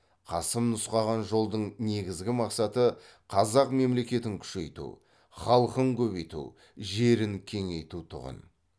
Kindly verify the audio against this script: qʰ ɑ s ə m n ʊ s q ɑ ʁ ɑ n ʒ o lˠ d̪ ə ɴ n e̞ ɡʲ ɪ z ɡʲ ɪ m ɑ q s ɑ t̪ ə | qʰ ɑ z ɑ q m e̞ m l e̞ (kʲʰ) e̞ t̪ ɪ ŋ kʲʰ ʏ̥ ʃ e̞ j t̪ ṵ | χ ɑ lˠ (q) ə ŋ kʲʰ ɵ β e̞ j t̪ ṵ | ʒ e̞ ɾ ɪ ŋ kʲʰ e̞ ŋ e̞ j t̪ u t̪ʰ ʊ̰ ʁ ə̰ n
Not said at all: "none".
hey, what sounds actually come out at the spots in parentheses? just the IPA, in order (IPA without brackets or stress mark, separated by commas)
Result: kʲ, q